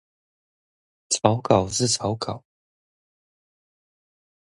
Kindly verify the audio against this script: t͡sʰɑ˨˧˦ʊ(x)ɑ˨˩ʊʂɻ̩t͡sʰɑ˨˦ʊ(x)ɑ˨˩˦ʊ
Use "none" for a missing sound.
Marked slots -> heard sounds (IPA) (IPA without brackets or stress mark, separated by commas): k, k